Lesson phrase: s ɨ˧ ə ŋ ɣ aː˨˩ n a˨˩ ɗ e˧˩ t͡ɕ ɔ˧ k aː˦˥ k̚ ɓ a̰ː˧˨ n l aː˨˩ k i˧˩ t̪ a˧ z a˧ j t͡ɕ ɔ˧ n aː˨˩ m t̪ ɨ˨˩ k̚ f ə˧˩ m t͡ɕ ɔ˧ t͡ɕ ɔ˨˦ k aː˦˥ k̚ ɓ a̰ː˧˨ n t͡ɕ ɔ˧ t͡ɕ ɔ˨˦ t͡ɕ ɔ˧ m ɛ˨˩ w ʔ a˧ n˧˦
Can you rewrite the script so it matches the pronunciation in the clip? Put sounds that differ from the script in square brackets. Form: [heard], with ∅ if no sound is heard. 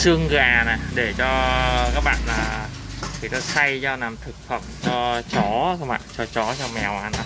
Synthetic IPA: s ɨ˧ ə ŋ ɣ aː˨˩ n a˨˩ ɗ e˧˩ t͡ɕ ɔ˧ k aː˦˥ k̚ ɓ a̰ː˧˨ n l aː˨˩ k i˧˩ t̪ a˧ [s] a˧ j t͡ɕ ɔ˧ n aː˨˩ m [t̪ʰ] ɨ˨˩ k̚ f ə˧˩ m t͡ɕ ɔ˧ t͡ɕ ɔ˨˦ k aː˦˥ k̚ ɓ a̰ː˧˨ n t͡ɕ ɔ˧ t͡ɕ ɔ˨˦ t͡ɕ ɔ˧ m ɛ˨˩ w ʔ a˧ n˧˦